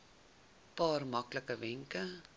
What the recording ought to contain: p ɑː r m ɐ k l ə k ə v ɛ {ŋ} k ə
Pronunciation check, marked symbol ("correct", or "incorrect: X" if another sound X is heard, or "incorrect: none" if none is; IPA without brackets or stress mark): correct